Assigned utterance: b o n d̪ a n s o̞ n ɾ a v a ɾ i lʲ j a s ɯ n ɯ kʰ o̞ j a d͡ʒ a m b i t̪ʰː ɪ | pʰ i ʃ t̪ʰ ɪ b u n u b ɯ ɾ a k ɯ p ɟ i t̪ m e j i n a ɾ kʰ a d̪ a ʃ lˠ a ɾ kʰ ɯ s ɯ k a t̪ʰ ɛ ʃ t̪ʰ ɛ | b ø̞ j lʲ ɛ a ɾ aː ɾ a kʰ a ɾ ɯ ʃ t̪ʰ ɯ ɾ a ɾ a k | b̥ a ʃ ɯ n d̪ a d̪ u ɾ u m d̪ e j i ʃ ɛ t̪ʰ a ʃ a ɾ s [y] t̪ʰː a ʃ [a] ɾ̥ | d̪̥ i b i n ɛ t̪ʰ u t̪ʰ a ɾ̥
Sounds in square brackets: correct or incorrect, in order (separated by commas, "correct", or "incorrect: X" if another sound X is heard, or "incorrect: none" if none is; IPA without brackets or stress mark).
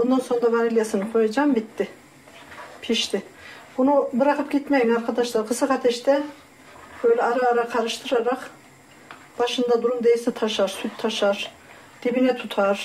correct, correct